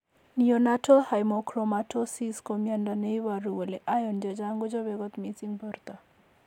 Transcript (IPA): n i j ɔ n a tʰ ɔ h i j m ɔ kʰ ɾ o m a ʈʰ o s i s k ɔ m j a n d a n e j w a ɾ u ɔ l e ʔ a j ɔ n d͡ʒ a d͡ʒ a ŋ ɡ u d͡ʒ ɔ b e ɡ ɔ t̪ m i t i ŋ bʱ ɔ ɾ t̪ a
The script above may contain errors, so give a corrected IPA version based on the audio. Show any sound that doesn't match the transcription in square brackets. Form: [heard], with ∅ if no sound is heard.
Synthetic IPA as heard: n i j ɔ n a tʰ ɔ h [a] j m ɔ kʰ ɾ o m a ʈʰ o s i s k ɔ m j a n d a n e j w a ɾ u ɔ l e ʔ a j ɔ n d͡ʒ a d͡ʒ a ŋ ɡ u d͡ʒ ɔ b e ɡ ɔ t̪ m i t i ŋ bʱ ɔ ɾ t̪ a